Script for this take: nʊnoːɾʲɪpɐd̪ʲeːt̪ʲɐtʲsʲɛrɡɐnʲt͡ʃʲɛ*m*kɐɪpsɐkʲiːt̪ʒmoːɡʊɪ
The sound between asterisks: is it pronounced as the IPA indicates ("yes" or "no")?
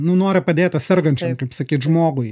yes